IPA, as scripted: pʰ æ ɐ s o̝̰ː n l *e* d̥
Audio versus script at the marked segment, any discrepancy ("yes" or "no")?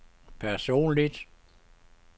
yes